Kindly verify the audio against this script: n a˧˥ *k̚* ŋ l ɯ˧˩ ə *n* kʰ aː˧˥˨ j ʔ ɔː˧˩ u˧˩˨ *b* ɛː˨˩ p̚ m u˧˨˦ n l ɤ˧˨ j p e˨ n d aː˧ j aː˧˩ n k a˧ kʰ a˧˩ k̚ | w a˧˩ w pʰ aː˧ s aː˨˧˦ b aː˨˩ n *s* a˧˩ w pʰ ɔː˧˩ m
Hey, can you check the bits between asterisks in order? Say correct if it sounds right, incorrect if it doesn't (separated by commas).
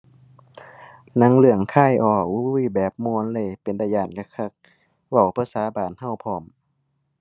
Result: incorrect, incorrect, correct, incorrect